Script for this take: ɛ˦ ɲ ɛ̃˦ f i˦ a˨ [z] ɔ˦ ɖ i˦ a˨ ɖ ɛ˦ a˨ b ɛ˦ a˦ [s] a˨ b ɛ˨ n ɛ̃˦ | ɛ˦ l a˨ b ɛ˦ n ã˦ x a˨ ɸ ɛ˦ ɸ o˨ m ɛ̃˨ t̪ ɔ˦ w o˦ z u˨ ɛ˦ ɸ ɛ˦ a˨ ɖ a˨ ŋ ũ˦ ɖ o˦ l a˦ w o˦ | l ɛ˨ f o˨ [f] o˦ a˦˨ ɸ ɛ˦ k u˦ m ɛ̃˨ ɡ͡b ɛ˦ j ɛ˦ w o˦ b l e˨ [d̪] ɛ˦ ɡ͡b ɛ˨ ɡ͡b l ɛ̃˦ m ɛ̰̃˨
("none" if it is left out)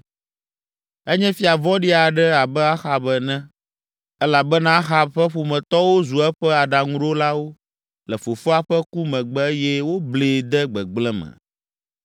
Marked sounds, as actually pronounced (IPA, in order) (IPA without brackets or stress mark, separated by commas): v, x, f, d̪